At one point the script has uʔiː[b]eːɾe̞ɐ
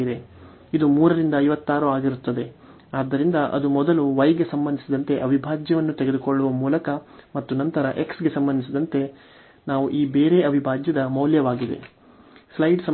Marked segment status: correct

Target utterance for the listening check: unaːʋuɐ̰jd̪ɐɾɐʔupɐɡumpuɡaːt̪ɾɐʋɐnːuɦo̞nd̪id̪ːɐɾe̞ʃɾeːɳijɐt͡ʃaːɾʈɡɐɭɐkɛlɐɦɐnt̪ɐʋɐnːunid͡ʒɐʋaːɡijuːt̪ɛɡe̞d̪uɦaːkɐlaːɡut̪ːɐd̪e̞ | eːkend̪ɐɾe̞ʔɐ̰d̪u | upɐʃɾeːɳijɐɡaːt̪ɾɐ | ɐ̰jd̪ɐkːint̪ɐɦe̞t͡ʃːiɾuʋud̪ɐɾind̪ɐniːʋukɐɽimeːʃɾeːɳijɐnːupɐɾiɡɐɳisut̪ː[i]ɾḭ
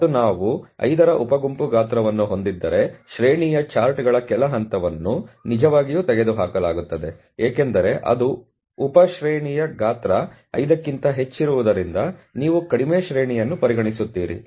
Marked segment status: incorrect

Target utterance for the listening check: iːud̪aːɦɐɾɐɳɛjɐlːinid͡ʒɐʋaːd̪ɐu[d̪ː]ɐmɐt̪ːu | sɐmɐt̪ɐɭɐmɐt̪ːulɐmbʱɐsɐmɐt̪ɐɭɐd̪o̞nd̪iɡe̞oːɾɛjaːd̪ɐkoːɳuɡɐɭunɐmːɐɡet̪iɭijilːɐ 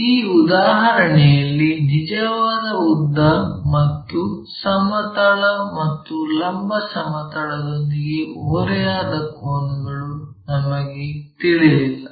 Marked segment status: correct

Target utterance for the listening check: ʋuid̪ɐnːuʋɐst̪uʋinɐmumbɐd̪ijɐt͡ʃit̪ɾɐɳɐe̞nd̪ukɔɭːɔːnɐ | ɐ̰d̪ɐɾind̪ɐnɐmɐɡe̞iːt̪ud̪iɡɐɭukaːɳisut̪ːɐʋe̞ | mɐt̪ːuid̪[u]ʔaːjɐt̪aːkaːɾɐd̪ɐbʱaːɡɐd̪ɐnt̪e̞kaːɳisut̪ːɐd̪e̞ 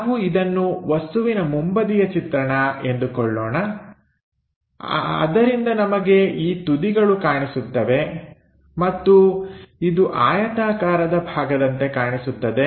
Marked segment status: correct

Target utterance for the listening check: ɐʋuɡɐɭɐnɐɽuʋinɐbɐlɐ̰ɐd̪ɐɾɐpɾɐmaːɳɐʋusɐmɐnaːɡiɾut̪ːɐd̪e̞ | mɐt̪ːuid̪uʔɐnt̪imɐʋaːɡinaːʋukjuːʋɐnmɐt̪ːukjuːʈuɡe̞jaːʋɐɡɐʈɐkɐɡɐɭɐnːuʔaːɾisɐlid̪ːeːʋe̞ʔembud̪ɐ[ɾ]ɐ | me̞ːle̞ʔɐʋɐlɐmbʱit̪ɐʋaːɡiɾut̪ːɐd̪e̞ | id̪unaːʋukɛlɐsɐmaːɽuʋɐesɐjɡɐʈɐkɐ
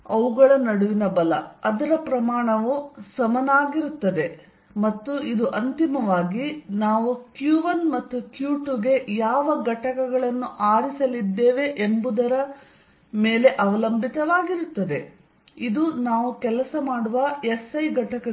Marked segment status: correct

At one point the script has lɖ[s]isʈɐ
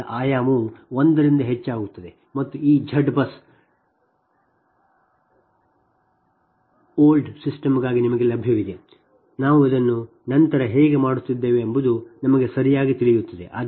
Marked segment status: correct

